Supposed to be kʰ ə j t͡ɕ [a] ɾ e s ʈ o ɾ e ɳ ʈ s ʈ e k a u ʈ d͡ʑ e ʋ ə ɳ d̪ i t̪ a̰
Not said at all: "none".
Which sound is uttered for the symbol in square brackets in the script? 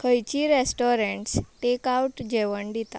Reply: i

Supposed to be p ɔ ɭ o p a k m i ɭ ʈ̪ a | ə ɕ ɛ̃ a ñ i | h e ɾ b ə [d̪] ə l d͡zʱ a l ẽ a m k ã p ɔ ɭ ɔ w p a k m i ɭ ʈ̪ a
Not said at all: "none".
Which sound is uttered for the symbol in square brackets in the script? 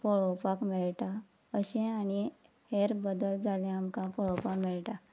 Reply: d̪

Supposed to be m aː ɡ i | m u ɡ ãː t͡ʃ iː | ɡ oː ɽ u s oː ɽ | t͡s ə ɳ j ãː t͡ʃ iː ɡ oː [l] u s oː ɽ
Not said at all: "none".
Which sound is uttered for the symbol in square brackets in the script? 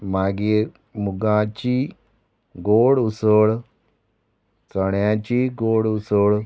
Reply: ɽ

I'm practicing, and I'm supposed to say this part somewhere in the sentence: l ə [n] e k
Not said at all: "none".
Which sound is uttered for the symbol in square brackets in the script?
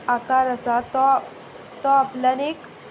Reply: n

